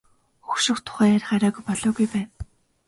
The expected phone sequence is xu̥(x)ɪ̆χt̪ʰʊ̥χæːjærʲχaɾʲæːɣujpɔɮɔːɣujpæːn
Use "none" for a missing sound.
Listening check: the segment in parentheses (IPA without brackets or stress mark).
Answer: ʃ